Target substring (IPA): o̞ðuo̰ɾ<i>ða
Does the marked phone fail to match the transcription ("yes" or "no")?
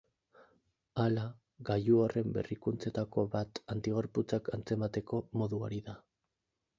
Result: no